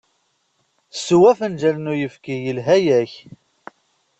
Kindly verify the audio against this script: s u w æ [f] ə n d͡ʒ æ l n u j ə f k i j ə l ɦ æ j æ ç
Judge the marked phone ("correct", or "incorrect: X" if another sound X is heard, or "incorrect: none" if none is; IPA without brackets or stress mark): correct